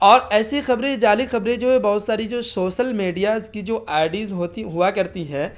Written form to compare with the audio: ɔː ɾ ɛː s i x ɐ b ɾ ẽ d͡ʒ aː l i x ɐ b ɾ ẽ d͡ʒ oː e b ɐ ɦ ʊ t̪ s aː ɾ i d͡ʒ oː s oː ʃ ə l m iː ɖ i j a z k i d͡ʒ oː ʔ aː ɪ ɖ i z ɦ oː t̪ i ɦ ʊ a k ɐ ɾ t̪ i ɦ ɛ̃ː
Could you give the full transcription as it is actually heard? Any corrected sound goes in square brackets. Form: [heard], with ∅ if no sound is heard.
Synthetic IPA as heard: ɔː ɾ ɛː s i x ɐ b ɾ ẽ d͡ʒ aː l i x ɐ b ɾ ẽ d͡ʒ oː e b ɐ ɦ ʊ t̪ s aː ɾ i d͡ʒ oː s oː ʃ ə l m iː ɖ i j a z k i d͡ʒ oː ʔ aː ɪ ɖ i z ɦ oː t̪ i ɦ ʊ a k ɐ ɾ t̪ i ɦ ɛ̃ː